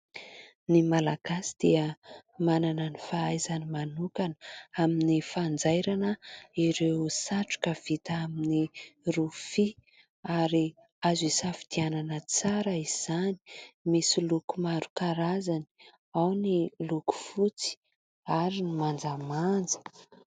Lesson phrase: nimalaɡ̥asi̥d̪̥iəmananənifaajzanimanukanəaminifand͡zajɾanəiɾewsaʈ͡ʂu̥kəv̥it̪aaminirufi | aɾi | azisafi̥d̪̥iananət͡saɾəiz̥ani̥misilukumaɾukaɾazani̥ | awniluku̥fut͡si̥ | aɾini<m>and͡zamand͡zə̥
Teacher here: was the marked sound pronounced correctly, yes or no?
yes